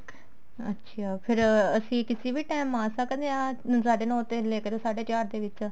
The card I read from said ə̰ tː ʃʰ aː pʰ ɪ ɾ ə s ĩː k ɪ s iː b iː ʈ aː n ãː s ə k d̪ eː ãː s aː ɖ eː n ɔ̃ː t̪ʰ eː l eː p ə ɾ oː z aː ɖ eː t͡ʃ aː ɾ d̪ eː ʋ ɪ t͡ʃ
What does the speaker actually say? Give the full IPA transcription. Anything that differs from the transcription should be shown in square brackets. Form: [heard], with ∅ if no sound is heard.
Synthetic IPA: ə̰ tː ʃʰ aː pʰ ɪ ɾ ə s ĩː k ɪ s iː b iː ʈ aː [m] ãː s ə k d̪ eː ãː s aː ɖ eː n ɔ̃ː [t̪] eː l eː [k] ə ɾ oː [s] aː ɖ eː t͡ʃ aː ɾ d̪ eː ʋ ɪ t͡ʃ

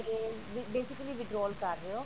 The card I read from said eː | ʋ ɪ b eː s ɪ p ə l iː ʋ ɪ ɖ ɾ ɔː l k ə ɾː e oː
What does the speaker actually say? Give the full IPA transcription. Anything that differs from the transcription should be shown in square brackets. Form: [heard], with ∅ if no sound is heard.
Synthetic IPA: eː | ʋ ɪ b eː s ɪ [k] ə l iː ʋ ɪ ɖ ɾ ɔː l k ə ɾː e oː

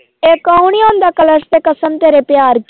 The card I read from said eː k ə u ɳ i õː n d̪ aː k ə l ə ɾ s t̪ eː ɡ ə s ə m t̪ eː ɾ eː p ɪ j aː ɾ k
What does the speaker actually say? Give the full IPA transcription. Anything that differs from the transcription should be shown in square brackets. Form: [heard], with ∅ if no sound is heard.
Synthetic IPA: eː k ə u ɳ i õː n d̪ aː k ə l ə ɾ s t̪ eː [k] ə s ə m t̪ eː ɾ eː p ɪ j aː ɾ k

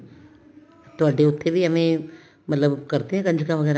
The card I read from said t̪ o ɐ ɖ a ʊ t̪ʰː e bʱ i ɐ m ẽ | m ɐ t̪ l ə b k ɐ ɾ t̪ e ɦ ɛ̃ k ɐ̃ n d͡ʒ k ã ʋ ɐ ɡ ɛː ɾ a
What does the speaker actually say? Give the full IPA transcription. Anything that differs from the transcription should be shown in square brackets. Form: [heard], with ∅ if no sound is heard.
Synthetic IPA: t̪ o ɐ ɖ [e] ʊ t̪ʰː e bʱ i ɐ m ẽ | m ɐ t̪ l ə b k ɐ ɾ t̪ e ɦ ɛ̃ k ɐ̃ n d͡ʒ k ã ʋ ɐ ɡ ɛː ɾ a

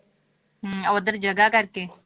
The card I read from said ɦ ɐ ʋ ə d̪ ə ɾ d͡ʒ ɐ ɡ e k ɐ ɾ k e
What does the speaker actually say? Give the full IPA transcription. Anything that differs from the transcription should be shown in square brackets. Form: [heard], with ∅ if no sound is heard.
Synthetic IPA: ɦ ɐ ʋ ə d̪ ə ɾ d͡ʒ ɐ ɡ [a] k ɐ ɾ k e

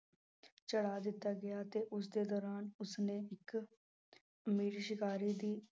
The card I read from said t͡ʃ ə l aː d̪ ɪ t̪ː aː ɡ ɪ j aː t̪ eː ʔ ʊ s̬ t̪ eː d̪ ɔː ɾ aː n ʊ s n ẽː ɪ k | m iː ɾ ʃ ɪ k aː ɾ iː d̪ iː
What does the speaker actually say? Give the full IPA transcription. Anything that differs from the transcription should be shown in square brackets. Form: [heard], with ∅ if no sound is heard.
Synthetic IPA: t͡ʃ ə [ɽ] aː d̪ ɪ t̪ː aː ɡ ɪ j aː t̪ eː ʔ ʊ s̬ [d̪] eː d̪ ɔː ɾ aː n ʊ s n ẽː ɪ k | m iː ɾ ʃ ɪ k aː ɾ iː d̪ iː

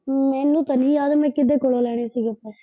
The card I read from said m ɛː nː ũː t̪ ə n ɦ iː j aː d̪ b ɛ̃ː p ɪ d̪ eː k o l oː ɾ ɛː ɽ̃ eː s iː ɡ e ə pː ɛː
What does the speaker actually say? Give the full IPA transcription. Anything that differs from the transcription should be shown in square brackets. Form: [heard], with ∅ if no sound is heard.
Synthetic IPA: m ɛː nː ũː t̪ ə n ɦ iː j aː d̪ [m] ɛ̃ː [k] ɪ d̪ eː k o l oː [l] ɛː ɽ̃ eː s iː ɡ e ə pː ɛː

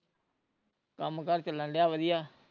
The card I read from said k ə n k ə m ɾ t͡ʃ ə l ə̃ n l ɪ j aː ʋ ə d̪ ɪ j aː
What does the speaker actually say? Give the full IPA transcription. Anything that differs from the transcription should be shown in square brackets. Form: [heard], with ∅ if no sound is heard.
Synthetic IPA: k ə [m] k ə [∅] ɾ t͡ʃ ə l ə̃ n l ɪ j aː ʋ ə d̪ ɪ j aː

